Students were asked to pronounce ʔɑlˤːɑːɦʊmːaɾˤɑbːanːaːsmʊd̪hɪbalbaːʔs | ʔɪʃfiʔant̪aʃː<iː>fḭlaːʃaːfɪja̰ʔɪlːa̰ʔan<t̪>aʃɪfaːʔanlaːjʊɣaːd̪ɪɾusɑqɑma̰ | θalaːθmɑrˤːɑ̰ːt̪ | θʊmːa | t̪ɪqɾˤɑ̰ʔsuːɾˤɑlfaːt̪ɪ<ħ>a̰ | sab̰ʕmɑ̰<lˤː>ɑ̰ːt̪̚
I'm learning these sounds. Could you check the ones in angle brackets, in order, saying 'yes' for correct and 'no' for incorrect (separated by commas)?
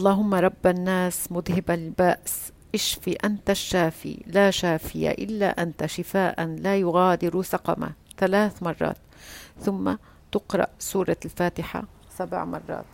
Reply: no, yes, yes, no